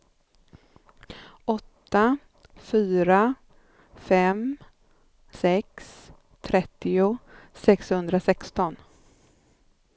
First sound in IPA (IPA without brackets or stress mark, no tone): ɔ